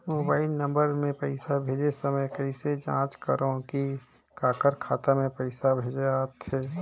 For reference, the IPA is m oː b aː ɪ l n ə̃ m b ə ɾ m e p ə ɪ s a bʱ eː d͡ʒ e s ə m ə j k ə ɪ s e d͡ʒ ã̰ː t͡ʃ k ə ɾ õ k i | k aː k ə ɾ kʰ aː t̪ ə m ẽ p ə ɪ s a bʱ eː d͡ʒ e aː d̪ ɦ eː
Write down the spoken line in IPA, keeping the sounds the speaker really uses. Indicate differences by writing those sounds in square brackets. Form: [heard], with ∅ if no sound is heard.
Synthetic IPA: m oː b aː ɪ l n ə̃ m b ə ɾ m [ẽ] p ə ɪ s a bʱ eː d͡ʒ e s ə m ə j k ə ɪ s e d͡ʒ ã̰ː t͡ʃ k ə ɾ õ k i | k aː k ə ɾ kʰ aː t̪ [a] m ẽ p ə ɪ s a bʱ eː d͡ʒ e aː [t̪] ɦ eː

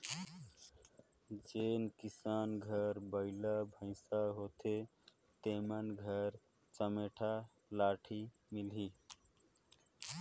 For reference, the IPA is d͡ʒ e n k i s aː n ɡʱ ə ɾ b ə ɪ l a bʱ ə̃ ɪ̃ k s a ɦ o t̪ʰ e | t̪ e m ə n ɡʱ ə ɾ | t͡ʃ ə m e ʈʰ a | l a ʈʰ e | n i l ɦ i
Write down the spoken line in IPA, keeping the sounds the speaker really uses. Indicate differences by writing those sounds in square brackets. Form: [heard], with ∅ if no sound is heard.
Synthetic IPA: d͡ʒ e n k i s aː n ɡʱ ə ɾ b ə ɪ l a bʱ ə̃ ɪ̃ [∅] s a ɦ o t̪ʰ e | t̪ e m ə n ɡʱ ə ɾ | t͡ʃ ə m e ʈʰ a | l a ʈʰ [i] | [m] i l ɦ i

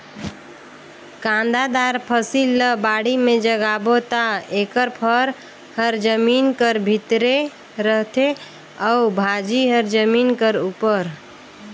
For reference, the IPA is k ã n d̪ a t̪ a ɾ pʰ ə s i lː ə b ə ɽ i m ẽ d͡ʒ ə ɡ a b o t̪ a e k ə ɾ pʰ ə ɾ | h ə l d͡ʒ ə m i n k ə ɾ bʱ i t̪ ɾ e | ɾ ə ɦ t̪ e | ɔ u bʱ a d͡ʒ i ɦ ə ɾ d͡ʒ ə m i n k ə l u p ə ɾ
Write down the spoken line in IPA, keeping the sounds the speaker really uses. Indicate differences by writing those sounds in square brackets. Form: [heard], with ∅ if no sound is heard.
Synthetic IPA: k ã n d̪ a [d̪] a ɾ pʰ ə s i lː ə b [a] ɽ i m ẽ d͡ʒ ə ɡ a b o t̪ a e k ə ɾ pʰ ə ɾ | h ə [ɾ] d͡ʒ ə m i n k ə ɾ bʱ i t̪ ɾ e | ɾ ə ɦ t̪ e | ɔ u bʱ a d͡ʒ i ɦ ə ɾ d͡ʒ ə m i n k ə [ɾ] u p ə ɾ

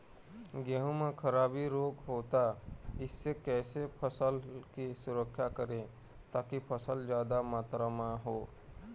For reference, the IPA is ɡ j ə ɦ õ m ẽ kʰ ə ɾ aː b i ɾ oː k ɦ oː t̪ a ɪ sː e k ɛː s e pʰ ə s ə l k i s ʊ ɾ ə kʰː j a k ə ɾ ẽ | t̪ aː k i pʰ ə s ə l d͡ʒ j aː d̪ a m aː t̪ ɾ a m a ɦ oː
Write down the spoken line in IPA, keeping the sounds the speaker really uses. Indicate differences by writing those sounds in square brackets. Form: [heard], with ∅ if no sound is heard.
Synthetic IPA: ɡ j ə ɦ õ m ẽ kʰ ə ɾ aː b i ɾ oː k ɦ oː t̪ a ɪ sː e k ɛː s e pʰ ə s ə l k i s ʊ ɾ ə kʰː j a k ə ɾ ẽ | t̪ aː k i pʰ ə s ə l d͡ʒ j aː d̪ a m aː t̪ ɾ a m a ɦ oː

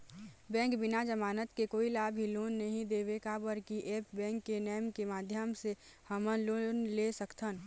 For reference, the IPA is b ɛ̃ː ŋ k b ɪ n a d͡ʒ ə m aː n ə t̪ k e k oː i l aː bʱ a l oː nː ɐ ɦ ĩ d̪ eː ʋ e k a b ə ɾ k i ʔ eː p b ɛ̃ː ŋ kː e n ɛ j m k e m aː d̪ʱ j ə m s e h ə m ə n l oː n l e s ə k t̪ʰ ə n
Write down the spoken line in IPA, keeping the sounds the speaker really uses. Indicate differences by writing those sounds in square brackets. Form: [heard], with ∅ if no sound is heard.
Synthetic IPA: b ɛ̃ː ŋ k b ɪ n a d͡ʒ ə m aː n ə t̪ k e k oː i l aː bʱ [i] l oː nː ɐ ɦ ĩ d̪ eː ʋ e k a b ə ɾ k i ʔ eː p b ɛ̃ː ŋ kː e n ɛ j m k e m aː d̪ʱ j ə m s e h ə m ə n l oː n l e s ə k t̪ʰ ə n

